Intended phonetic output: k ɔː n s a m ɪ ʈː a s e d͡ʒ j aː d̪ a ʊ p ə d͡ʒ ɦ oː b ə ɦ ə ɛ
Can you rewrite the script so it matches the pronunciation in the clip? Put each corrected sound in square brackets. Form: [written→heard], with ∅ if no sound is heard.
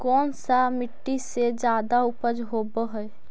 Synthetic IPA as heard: k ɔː n s a m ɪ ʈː [a→i] s e d͡ʒ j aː d̪ a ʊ p ə d͡ʒ ɦ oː b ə ɦ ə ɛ